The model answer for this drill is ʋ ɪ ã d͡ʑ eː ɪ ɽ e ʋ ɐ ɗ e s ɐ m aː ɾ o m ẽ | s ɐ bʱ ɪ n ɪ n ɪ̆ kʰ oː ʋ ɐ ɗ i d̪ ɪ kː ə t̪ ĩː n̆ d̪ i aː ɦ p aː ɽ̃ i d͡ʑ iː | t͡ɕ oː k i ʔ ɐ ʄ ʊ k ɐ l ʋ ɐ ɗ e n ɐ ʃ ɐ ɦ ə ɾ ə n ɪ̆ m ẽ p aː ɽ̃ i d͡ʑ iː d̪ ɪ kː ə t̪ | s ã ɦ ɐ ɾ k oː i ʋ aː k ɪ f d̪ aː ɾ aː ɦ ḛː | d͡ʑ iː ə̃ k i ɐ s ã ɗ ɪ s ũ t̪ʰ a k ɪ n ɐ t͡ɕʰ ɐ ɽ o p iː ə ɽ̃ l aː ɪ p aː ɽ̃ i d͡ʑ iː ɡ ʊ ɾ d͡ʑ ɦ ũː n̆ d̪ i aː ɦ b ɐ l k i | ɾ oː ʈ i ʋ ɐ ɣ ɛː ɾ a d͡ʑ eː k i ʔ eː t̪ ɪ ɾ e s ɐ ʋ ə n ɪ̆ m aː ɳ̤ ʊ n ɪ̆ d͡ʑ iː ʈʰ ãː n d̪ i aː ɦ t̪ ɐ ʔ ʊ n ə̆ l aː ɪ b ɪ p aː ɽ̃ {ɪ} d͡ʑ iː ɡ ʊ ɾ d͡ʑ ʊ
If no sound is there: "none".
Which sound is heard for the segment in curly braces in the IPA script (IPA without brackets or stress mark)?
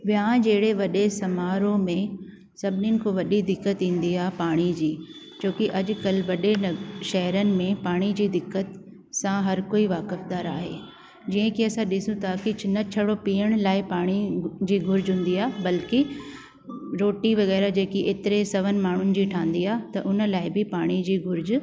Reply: i